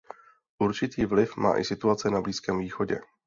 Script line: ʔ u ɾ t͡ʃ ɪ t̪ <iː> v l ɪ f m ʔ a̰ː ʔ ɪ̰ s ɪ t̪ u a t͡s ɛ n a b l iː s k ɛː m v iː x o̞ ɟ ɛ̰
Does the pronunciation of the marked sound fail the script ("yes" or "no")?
no